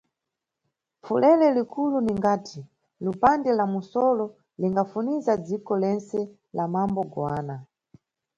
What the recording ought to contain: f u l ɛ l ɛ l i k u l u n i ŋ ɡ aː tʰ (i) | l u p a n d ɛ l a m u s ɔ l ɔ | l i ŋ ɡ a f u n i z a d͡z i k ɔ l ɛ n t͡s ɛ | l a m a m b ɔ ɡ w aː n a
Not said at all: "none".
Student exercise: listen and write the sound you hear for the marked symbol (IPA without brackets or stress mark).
i